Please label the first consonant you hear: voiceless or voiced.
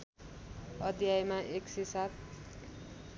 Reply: voiced